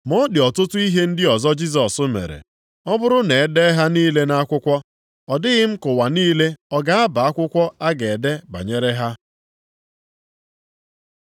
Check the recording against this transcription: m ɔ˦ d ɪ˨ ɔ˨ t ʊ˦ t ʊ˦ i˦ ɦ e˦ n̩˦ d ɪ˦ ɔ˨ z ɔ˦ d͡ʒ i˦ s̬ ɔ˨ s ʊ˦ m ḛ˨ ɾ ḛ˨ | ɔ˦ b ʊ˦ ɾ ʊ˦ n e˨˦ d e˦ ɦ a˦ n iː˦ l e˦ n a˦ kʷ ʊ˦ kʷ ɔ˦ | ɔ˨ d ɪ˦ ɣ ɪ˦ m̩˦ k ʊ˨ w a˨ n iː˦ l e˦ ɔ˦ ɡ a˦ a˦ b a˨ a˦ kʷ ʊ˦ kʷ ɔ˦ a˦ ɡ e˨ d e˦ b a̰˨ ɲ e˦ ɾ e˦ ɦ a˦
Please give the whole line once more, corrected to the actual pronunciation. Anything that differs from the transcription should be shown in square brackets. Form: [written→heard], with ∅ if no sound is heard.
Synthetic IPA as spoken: m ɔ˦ d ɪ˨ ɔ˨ t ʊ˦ t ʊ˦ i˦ ɦ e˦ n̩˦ d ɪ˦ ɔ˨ z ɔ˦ d͡ʒ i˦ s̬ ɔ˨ s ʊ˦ m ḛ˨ ɾ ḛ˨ | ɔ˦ b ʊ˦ ɾ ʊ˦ n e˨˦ d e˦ ɦ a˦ n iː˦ l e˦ n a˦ kʷ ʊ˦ kʷ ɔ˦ | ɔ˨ d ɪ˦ ɣ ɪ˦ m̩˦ k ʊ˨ w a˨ n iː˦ l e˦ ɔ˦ ɡ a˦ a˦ b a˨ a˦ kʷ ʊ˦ kʷ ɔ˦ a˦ ɡ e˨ d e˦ b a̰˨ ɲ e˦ ɾ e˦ ɦ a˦